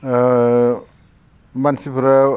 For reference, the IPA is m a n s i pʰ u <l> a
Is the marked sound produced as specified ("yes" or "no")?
no